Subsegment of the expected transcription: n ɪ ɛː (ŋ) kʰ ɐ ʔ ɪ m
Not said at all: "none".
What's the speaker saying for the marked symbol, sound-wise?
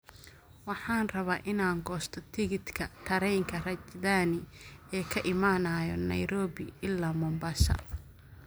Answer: none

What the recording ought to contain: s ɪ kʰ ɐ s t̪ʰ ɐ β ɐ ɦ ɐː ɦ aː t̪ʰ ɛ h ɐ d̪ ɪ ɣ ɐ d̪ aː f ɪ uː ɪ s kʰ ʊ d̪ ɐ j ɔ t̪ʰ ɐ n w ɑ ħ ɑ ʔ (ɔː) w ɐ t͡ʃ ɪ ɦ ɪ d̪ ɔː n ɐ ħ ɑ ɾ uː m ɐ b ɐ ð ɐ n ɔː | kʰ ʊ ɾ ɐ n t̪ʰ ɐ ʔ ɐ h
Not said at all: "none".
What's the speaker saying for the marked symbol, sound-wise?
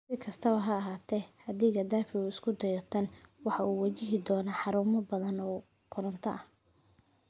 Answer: uː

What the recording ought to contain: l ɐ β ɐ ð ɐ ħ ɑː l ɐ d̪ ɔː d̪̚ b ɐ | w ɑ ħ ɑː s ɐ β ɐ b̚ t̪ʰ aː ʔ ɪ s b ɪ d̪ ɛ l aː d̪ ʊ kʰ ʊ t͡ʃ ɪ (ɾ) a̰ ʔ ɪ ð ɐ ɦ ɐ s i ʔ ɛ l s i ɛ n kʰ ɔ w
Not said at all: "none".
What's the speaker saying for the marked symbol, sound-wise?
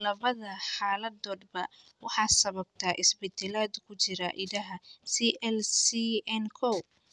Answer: ɾ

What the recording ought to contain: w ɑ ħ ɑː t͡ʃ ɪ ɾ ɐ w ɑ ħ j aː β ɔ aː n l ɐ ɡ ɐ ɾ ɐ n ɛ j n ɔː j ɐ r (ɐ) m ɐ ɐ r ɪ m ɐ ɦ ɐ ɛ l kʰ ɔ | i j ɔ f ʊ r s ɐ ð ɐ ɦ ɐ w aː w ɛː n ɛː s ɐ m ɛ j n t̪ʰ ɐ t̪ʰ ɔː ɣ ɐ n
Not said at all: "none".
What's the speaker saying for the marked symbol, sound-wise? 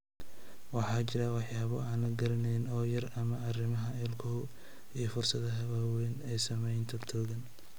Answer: ɐ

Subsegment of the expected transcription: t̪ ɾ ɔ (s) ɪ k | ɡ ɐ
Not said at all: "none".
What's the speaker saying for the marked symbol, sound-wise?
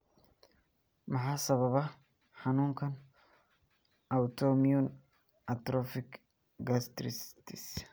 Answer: f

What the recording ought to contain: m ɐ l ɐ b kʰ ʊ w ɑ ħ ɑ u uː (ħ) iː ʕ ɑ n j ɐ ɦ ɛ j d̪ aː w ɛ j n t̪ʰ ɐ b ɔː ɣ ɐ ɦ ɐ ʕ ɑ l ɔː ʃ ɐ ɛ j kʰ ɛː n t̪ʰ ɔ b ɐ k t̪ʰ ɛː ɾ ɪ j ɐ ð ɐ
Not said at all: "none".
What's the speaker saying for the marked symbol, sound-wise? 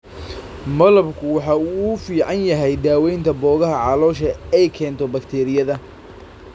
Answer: f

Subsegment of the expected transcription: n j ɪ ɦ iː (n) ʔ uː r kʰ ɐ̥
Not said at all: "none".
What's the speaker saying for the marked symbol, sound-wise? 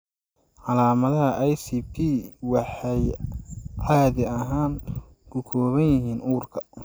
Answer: n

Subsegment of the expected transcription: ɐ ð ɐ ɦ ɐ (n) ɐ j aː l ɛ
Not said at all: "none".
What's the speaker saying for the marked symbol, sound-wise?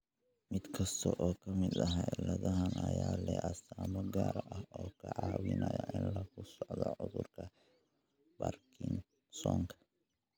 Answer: n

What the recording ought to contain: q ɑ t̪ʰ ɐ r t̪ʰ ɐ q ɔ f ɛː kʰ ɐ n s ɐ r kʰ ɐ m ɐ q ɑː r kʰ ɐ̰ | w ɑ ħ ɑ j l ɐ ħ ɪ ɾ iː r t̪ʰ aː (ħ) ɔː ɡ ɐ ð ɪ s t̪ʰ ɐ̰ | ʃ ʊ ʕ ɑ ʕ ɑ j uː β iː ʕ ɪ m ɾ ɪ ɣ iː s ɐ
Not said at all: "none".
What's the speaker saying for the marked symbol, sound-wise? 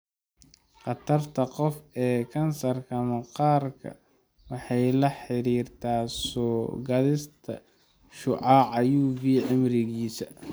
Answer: s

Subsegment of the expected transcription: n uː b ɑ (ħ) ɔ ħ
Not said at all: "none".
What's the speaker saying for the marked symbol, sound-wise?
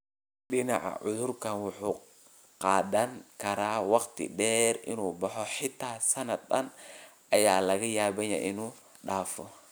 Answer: ħ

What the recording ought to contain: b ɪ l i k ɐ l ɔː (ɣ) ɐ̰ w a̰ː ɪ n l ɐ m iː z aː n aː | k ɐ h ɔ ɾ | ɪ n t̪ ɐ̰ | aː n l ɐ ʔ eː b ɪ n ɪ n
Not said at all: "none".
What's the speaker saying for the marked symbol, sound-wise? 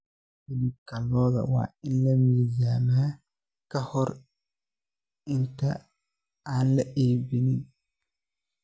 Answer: ð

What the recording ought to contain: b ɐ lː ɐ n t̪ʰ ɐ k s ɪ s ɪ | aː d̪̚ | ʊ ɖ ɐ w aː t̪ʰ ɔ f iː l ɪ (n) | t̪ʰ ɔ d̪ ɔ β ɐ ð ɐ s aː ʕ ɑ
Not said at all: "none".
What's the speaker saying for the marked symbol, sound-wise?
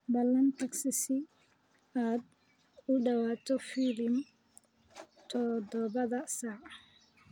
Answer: m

